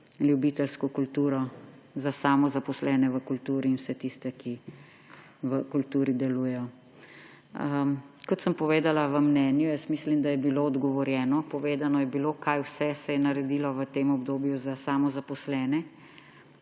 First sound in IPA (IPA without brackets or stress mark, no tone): l